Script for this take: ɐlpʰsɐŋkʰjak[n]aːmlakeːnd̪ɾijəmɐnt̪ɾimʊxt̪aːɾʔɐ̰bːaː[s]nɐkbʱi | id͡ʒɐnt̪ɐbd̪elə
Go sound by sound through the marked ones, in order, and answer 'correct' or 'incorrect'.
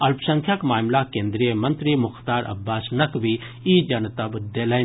incorrect, correct

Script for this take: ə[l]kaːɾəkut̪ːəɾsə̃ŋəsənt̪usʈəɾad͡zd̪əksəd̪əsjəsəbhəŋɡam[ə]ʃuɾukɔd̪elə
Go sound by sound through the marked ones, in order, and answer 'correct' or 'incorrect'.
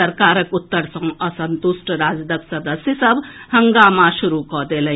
incorrect, incorrect

